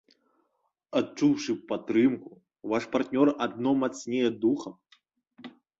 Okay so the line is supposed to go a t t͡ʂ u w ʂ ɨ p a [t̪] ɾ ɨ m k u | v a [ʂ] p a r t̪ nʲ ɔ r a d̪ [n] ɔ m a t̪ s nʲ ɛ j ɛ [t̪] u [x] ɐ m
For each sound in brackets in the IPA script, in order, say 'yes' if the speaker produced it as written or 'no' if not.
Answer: yes, yes, yes, no, yes

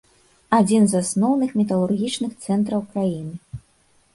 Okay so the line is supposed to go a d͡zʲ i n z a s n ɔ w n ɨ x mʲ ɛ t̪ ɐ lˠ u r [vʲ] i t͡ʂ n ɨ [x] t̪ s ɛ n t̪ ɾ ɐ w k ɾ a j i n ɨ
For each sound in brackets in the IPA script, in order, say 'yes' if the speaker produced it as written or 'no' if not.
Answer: no, yes

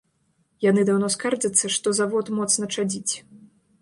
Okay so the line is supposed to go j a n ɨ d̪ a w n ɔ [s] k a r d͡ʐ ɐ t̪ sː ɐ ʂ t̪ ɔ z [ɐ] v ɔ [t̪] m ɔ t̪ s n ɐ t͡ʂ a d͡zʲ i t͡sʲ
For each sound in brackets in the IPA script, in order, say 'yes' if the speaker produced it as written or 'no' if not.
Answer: yes, no, yes

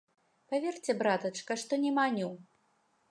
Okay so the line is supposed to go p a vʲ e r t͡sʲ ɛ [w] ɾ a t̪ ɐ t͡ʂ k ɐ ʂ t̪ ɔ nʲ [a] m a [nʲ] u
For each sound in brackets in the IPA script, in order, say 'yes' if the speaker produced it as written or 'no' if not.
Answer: no, no, yes

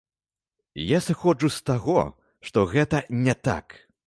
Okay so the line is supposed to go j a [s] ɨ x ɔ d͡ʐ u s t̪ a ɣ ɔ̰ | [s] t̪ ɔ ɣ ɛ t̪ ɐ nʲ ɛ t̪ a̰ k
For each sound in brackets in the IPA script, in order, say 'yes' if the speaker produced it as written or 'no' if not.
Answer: yes, no

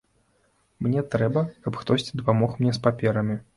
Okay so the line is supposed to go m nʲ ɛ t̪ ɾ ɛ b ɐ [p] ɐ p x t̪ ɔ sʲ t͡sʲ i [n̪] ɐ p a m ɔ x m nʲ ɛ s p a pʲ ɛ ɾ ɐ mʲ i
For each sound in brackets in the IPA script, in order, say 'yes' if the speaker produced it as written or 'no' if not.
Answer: no, no

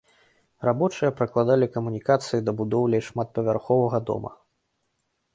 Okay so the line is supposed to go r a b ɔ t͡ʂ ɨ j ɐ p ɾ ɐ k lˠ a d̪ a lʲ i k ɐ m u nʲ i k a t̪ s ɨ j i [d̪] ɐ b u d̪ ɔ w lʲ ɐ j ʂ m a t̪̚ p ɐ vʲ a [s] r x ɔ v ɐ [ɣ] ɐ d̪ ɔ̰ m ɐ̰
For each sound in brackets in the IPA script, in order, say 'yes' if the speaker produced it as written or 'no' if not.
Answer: yes, no, yes

